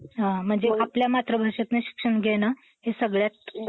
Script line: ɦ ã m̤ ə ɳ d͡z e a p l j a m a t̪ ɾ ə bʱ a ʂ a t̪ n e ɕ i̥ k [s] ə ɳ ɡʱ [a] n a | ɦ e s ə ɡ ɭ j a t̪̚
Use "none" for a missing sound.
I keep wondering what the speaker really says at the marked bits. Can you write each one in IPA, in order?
ʂ, e

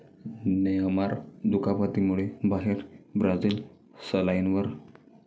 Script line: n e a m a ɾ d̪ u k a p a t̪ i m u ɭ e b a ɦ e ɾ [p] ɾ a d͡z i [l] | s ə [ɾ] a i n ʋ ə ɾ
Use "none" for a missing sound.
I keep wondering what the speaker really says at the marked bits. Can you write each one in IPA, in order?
b, l, l

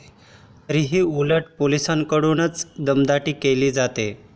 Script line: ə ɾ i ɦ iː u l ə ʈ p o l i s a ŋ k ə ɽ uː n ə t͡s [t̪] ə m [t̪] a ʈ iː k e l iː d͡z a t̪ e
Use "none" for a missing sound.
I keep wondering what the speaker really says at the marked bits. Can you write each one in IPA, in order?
d̪, d̪

